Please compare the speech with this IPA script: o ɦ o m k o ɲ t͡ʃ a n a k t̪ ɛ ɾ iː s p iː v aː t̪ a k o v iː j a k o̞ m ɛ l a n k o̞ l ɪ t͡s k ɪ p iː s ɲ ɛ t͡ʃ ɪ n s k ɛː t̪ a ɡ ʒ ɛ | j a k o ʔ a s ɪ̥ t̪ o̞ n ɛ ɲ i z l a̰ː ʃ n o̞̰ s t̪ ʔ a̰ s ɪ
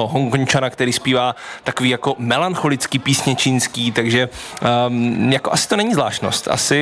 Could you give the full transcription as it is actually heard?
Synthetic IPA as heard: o ɦ o ŋ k o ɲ t͡ʃ a n a k t̪ ɛ ɾ iː s p iː v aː t̪ a k o v iː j a k o̞ m ɛ l a n x o̞ l ɪ t͡s k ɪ p iː s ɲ ɛ t͡ʃ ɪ n s k iː t̪ a ɡ ʒ ɛ | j a k o ʔ a s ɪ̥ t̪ o̞ n ɛ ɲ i z l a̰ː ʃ n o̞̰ s t̪ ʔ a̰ s ɪ